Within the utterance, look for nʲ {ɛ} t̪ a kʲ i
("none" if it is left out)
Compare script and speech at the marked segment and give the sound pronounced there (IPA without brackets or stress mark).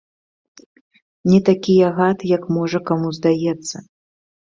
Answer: ɛ